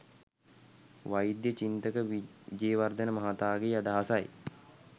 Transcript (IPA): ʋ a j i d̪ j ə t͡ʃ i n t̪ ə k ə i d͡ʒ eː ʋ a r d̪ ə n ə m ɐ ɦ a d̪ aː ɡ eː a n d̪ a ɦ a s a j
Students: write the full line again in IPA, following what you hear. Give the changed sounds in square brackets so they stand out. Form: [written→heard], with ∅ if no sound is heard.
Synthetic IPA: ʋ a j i d̪ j ə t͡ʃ i n t̪ ə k ə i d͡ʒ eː ʋ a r d̪ ə n ə m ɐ ɦ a [d̪→t̪] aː ɡ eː a [n→∅] d̪ a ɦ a s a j